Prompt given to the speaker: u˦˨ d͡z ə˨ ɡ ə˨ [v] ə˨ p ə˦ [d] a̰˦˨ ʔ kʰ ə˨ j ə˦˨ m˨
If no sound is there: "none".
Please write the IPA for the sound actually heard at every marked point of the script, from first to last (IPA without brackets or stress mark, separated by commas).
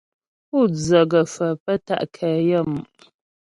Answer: f, t